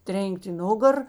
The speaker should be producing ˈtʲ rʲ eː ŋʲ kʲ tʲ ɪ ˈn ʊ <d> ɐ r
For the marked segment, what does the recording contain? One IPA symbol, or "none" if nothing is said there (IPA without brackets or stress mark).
ɡ